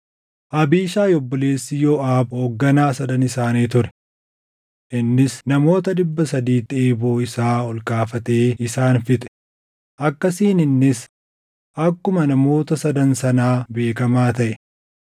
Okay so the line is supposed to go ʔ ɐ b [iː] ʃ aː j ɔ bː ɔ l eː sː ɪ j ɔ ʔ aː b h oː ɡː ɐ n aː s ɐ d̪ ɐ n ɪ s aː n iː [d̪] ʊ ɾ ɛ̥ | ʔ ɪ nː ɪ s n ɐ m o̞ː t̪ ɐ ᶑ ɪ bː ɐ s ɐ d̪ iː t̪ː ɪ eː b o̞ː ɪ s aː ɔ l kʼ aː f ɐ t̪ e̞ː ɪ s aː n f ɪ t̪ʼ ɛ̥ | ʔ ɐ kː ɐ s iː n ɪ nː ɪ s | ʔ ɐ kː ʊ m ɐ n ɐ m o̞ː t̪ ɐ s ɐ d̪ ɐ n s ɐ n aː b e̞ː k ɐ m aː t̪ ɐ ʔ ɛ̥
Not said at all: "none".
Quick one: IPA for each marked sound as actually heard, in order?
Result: iː, t̪

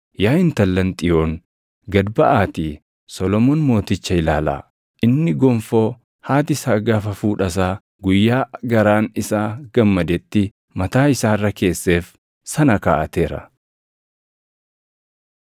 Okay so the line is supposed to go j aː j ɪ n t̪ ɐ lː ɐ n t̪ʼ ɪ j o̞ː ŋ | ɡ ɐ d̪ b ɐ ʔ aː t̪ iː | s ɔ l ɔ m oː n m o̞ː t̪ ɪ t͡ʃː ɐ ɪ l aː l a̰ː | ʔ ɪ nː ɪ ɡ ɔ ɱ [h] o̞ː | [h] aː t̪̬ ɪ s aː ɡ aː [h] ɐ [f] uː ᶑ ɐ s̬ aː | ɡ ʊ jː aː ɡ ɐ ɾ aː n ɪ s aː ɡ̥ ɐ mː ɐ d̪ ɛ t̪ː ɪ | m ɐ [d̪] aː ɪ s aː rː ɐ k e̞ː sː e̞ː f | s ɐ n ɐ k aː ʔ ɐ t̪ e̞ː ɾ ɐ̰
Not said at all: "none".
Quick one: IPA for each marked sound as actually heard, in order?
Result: f, h, f, f, t̪

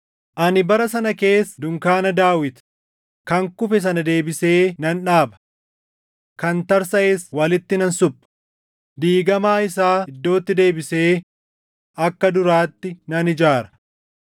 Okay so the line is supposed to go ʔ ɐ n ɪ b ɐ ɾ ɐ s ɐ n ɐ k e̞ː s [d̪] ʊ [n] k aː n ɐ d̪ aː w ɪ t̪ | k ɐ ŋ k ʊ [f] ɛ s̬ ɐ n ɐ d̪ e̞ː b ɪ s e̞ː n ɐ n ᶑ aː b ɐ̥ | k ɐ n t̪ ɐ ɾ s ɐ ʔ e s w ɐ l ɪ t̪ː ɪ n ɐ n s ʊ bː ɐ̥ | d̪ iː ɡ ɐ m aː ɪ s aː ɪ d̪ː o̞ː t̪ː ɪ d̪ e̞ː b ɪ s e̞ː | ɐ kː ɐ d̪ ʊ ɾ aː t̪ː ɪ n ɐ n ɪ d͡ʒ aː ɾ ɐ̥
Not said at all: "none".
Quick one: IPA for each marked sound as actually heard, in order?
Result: d̪, ŋ, f

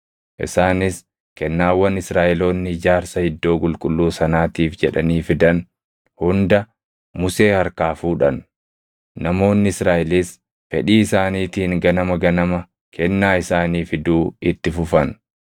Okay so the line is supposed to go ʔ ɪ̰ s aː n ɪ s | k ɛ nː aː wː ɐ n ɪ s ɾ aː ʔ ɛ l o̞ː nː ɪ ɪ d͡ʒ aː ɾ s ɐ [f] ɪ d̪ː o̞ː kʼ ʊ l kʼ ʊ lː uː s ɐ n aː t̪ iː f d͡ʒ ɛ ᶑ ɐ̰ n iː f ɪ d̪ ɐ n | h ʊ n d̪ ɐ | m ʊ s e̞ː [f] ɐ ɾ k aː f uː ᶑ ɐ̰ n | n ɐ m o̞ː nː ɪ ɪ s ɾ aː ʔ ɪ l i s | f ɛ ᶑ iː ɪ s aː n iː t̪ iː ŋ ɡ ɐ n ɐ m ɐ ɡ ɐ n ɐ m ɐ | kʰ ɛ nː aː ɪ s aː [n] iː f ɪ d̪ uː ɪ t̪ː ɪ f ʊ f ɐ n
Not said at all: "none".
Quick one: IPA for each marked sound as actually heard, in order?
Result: h, h, n

